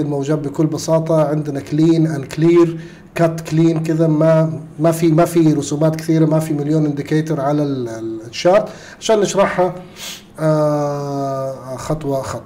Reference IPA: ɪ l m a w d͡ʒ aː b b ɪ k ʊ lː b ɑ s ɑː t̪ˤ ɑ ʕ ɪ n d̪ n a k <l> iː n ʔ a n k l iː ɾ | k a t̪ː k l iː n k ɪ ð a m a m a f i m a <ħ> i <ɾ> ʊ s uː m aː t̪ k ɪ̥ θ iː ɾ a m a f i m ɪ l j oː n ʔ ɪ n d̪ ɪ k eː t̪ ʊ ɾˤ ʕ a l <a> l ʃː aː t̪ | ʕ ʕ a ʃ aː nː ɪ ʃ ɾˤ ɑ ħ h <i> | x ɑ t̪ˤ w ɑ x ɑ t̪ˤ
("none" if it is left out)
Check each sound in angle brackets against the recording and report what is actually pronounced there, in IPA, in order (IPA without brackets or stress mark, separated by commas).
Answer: l, f, ɾ, a, a